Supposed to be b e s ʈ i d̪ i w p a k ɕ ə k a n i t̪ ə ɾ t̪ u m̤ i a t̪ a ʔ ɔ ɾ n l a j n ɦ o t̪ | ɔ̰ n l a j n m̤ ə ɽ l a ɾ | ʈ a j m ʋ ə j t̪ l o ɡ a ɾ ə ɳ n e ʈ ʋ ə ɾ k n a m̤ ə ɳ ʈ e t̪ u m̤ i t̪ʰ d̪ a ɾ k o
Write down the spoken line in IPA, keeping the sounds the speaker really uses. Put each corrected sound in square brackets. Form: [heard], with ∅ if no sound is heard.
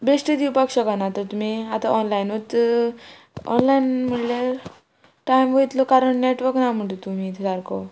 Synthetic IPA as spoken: b e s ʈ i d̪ i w p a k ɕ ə k a n [a] t̪ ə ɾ t̪ u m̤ i a t̪ a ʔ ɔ [∅] n l a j n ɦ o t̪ | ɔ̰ n l a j n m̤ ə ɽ l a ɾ | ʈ a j m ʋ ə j t̪ l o [k] a ɾ ə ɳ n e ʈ ʋ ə ɾ k n a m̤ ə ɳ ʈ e t̪ u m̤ i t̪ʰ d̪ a ɾ k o

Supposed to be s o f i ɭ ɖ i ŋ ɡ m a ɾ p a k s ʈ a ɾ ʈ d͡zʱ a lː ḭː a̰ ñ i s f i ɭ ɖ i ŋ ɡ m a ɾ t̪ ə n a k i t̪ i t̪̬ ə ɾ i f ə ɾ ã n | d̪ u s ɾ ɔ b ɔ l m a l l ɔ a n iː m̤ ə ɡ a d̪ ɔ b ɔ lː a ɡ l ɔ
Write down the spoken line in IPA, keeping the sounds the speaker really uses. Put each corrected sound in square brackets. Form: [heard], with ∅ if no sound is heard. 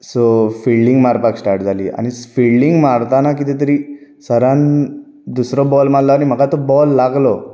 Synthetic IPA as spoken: s o f i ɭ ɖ i ŋ ɡ m a ɾ p a k s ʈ a ɾ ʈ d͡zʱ a [l] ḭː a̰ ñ i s f i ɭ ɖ i ŋ ɡ m a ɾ t̪ [a] n a k i t̪ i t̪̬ ə ɾ i [s] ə ɾ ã n | d̪ u s ɾ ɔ b ɔ l m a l l ɔ a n [i] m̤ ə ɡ a [t̪] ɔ b ɔ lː a ɡ l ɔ

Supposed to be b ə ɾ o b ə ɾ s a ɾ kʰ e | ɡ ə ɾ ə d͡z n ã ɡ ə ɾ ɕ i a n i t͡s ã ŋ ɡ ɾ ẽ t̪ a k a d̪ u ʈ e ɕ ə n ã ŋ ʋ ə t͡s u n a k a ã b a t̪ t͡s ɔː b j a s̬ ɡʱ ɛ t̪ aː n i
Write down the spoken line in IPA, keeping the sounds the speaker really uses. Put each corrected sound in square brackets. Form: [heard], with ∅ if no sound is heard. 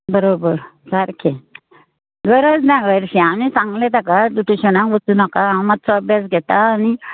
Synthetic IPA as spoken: b ə ɾ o b ə ɾ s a ɾ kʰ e | ɡ ə ɾ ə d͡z n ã ɡ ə ɾ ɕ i a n i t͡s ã ŋ ɡ [l] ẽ t̪ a k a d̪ u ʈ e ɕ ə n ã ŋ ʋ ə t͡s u n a k a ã [m] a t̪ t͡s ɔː b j a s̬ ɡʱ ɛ t̪ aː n i

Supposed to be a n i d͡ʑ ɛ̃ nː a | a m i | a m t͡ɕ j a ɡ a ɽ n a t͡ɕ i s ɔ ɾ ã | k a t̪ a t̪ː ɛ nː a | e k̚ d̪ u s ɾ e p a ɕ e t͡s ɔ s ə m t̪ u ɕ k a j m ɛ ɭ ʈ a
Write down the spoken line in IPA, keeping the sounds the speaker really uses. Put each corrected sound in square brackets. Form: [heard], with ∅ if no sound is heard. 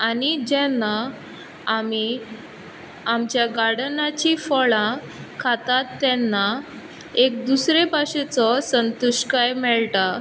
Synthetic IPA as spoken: a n i d͡ʑ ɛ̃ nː a | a m i | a m t͡ɕ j a ɡ a ɽ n a t͡ɕ i [f] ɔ [ɭ] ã | [kʰ] a t̪ a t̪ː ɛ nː a | e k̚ d̪ u s ɾ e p a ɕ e t͡s ɔ s ə [n] t̪ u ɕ k a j m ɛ ɭ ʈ a

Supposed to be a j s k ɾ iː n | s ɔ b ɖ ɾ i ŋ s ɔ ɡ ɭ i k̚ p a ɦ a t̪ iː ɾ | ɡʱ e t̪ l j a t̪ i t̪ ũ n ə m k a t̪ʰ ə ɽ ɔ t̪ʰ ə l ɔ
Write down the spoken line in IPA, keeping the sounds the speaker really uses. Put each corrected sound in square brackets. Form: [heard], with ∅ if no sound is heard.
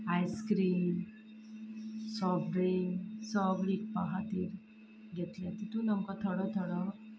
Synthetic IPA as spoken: a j s k ɾ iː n | s ɔ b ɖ ɾ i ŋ s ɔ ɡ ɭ i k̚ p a ɦ a t̪ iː ɾ | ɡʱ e t̪ l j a t̪ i t̪ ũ n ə m k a t̪ʰ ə ɽ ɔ t̪ʰ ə [ɽ] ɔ

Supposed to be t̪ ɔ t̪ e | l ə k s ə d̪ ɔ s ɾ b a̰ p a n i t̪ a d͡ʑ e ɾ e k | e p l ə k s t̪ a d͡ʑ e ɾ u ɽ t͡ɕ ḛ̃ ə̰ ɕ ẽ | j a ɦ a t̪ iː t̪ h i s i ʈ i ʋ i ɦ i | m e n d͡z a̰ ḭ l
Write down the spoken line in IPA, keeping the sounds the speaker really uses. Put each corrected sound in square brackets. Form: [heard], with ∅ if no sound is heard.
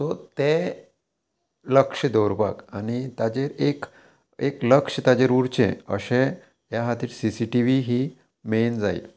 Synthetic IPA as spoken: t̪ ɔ t̪ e | l ə k [ʂ] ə d̪ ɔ [∅] ɾ b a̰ [k] a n i t̪ a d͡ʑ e ɾ e k | e [k] l ə k [ʂ] t̪ a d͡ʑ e ɾ u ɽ t͡ɕ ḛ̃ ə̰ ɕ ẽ | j a ɦ a t̪ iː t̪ [s] i s i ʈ i ʋ i ɦ i | m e n d͡z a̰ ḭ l

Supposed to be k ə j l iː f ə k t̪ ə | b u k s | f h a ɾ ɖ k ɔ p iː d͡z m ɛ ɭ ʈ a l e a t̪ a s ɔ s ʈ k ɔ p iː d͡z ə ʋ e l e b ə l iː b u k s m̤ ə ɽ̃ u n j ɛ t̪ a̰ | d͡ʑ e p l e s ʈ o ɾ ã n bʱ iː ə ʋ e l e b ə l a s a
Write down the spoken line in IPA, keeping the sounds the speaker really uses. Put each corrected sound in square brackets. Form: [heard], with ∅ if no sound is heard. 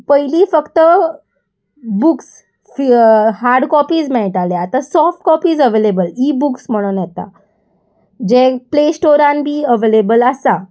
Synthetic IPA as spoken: [p] ə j l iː f ə k t̪ ə | b u k s | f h a ɾ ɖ k ɔ p iː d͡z m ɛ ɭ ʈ a l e a t̪ a s ɔ [f] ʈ k ɔ p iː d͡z ə ʋ e l e b ə l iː b u k s m̤ ə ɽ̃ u n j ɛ t̪ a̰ | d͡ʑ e p l e s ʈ o ɾ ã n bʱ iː ə ʋ e l e b ə l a s a

